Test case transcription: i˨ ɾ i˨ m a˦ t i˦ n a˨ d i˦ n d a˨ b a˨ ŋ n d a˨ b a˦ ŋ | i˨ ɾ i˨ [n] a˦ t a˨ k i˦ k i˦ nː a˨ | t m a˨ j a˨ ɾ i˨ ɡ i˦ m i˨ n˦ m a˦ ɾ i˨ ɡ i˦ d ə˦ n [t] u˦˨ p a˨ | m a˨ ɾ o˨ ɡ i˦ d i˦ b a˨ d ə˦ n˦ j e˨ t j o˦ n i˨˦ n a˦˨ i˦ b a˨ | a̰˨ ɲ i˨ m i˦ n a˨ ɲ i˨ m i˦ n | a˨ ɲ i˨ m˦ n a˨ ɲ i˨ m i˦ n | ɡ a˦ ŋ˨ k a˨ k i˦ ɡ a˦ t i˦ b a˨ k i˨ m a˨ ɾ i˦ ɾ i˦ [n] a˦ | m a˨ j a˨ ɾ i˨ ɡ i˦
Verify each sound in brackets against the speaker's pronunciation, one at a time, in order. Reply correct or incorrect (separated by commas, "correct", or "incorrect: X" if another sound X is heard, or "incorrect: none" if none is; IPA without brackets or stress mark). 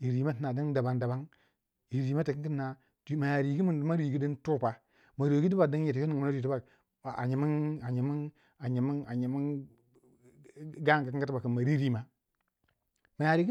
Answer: incorrect: m, correct, incorrect: m